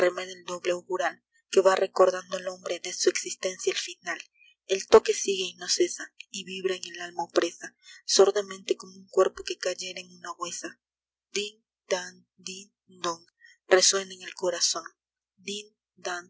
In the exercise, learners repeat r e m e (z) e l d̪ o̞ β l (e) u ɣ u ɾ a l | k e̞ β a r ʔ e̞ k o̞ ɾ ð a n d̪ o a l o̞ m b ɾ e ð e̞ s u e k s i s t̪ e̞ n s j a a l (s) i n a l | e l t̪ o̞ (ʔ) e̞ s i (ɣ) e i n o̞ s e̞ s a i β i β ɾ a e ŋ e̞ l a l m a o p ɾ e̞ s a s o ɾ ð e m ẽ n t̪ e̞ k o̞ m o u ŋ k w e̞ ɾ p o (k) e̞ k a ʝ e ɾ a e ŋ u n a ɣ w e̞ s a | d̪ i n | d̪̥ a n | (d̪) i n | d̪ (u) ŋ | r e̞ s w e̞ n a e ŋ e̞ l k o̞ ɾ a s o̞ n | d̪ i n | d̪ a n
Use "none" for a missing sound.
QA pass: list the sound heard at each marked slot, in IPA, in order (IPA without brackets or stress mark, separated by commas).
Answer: ð, e, f, k, ɣ, k, d̪, o